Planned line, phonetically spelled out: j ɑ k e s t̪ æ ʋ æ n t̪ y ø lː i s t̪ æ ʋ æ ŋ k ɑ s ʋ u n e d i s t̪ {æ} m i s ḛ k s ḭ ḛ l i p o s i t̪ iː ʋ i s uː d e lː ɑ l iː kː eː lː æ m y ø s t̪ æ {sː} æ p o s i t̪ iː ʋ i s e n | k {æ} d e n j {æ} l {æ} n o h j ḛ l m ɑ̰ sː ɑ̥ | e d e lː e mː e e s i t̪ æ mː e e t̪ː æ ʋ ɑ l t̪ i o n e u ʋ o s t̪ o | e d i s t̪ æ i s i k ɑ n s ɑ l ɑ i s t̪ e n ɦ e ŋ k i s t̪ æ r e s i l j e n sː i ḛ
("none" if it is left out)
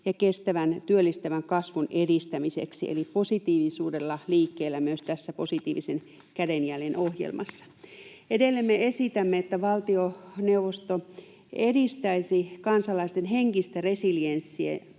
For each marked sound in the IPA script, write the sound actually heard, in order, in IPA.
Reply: æ, sː, æ, æ, e

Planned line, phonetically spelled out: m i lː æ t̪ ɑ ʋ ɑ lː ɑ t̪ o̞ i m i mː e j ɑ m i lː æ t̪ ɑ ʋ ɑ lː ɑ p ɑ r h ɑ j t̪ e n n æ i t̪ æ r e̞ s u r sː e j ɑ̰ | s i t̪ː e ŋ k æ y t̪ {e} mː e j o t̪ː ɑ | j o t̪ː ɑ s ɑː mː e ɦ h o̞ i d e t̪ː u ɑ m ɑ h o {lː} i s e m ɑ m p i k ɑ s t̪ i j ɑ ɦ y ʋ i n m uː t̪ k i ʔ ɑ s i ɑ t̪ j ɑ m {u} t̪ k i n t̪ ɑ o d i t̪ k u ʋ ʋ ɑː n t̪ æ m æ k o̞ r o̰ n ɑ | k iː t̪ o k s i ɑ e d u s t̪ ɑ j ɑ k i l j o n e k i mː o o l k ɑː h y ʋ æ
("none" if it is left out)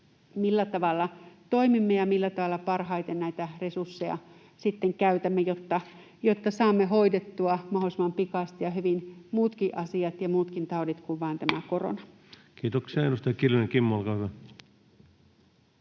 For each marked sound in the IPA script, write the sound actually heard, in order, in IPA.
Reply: æ, l, uː

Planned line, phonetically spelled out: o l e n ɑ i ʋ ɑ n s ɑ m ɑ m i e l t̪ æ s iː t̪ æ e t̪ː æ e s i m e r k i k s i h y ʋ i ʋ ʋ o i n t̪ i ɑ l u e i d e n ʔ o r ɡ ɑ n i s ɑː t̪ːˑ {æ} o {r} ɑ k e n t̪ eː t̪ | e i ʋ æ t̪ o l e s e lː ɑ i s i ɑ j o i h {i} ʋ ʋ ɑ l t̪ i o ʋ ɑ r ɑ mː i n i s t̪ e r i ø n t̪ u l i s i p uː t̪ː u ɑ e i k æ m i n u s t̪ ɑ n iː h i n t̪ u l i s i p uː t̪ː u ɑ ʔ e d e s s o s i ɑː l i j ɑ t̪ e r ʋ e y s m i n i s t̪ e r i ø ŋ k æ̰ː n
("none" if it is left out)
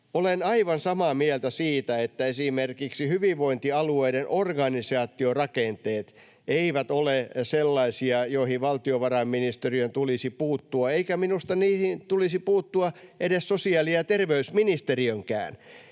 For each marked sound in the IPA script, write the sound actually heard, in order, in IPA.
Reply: i, r, i

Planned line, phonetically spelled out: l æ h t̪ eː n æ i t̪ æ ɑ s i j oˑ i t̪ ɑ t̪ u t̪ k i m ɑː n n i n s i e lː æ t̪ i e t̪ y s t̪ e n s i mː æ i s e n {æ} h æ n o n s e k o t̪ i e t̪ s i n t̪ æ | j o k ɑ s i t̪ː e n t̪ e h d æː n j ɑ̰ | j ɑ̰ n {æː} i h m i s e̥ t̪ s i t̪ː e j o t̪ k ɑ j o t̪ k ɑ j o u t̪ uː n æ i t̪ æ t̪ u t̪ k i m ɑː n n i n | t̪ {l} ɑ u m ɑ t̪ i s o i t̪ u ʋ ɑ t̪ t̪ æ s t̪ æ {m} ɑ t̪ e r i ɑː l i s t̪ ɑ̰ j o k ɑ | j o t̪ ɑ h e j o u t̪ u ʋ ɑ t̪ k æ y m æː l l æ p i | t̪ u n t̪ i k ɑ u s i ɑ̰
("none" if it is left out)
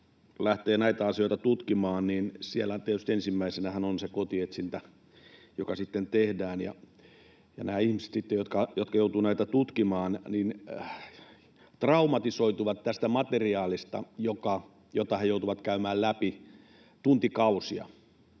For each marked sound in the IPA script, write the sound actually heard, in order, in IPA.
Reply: æ, æː, r, m

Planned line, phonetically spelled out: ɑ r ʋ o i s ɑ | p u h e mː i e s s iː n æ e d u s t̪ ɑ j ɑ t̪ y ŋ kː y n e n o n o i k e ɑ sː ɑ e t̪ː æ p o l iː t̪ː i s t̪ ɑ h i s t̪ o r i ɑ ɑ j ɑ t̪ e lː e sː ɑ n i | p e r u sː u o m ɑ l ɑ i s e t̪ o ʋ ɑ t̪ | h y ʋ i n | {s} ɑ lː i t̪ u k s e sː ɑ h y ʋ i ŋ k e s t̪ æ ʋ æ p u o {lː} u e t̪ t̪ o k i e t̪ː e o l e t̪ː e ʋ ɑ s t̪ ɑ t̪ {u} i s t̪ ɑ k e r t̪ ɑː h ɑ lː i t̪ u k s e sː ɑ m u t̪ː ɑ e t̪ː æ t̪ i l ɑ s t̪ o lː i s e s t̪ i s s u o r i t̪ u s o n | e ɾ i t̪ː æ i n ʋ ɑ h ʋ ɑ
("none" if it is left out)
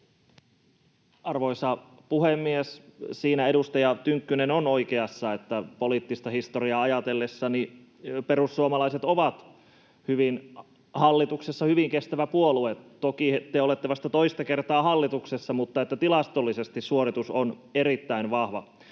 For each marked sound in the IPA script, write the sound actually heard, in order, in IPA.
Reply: h, l, o

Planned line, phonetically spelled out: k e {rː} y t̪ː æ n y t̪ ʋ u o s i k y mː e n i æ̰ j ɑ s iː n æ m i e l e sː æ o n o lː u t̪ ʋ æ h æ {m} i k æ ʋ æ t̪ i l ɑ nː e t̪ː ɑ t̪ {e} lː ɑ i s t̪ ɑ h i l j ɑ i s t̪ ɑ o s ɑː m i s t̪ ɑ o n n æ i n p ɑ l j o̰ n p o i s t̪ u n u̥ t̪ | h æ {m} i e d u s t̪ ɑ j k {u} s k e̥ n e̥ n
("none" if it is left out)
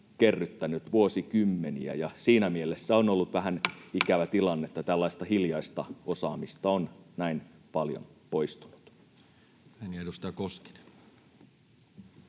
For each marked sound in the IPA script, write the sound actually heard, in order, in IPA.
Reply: rː, n, æ, n, o

